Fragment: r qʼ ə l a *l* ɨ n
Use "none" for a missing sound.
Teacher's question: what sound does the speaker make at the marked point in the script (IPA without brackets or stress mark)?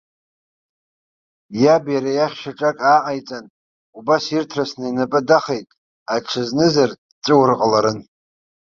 ɾ